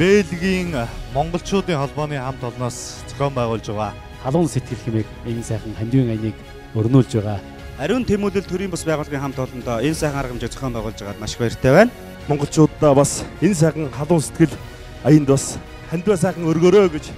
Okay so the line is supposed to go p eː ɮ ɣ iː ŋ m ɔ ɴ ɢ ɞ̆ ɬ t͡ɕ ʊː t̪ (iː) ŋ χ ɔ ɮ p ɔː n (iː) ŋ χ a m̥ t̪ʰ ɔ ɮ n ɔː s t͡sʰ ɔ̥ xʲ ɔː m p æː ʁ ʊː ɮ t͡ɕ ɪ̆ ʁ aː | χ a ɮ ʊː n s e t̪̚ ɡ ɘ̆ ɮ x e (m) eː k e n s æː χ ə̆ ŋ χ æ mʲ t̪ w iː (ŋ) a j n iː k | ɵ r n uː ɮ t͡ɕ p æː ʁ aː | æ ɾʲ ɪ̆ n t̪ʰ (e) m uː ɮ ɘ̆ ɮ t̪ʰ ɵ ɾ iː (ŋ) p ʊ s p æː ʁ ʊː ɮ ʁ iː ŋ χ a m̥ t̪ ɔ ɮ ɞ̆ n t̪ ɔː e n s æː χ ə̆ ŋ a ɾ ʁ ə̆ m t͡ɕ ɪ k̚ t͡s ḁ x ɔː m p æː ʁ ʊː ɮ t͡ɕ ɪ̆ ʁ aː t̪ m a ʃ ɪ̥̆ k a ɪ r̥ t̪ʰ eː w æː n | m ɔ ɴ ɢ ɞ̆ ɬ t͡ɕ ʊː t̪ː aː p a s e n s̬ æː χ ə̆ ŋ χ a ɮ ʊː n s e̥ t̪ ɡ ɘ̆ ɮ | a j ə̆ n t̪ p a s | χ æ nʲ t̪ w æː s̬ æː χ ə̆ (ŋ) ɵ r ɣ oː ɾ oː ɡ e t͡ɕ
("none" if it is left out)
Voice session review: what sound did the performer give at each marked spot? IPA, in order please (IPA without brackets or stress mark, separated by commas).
iː, iː, m, ŋ, e, m, ŋ